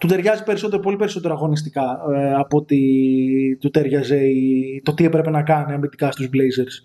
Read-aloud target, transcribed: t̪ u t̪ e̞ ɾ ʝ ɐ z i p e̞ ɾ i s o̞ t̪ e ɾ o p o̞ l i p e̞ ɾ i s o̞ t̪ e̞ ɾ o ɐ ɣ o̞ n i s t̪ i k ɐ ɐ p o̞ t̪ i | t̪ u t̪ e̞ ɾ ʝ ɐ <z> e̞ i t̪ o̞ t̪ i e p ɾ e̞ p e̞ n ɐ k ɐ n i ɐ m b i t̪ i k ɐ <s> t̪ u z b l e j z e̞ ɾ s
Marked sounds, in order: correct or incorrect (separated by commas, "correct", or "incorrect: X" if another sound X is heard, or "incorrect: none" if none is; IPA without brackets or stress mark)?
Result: correct, correct